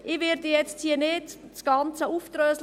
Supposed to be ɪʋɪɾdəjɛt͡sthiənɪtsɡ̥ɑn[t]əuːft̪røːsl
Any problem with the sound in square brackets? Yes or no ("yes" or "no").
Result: yes